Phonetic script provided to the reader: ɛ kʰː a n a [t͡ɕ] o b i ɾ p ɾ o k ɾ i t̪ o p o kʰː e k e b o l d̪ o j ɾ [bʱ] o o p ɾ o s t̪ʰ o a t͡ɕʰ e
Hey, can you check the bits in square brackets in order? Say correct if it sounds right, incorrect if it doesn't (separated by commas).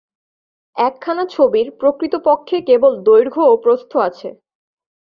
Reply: incorrect, incorrect